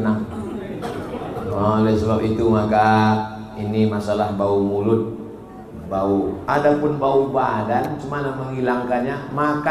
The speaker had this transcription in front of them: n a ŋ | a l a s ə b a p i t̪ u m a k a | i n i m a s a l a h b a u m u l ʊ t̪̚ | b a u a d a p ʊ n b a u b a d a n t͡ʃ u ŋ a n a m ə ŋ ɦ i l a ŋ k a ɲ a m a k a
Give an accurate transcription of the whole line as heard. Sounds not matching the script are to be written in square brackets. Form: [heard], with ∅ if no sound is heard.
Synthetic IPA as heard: n a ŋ | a l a s ə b a p i t̪ u m a k a | i n i m a s a l a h b a u m u l ʊ t̪̚ | b a u a d a p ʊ n b a u b a d a n t͡ʃ u [m] a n a m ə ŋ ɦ i l a ŋ k a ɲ a m a k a